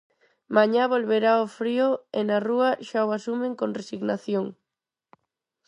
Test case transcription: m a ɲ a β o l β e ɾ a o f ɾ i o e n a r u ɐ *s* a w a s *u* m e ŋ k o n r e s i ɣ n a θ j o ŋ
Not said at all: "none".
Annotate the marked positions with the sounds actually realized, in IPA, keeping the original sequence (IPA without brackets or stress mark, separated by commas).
ʃ, u